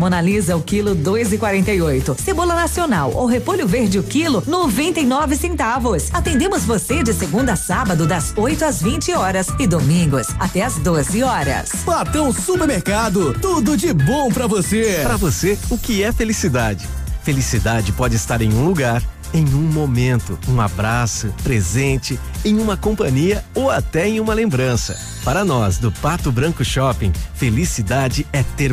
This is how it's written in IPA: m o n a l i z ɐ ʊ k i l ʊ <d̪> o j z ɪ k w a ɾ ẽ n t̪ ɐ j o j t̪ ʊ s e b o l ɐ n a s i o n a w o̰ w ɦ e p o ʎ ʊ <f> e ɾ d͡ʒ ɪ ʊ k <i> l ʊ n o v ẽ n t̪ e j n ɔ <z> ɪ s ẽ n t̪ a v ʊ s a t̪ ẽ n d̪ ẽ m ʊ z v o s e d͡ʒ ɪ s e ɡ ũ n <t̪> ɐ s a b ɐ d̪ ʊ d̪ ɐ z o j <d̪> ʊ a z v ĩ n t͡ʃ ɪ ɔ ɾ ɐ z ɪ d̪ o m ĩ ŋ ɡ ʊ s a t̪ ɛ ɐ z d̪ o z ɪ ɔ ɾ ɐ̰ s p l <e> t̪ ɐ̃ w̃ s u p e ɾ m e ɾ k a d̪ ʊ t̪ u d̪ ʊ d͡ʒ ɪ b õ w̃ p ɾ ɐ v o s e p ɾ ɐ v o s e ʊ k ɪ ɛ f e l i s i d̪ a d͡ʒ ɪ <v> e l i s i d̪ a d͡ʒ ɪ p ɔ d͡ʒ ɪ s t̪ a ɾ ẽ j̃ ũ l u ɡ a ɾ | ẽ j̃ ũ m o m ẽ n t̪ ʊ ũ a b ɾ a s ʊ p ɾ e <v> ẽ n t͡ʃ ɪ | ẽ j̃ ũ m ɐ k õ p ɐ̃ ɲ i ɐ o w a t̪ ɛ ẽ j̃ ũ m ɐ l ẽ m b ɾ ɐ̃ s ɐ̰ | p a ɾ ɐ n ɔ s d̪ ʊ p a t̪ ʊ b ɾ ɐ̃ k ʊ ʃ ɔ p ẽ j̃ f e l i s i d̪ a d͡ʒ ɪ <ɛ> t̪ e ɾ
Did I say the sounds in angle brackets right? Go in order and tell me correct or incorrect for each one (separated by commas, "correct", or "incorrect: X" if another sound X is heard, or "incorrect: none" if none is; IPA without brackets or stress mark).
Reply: correct, incorrect: v, correct, incorrect: v, incorrect: d̪, incorrect: t̪, incorrect: a, incorrect: f, incorrect: z, correct